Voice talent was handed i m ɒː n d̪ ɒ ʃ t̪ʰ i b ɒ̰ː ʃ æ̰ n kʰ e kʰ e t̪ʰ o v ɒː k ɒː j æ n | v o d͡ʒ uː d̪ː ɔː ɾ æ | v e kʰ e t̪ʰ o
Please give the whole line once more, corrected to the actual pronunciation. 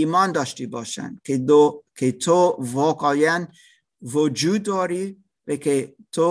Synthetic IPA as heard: i m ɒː n d̪ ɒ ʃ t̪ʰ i b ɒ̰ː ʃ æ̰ n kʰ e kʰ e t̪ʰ o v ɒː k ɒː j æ n | v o d͡ʒ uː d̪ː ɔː ɾ i | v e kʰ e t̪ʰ o